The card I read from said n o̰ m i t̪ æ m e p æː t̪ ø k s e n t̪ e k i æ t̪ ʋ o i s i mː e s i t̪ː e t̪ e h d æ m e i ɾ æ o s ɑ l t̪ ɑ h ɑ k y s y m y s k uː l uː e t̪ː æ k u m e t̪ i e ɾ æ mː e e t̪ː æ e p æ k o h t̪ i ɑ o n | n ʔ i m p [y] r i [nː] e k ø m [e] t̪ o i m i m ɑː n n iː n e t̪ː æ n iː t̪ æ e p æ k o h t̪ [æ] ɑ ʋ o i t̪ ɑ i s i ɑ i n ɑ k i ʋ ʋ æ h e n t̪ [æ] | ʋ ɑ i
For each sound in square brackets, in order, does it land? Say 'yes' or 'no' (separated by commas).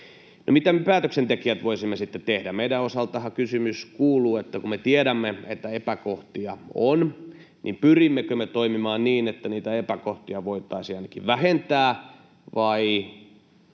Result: yes, no, yes, no, no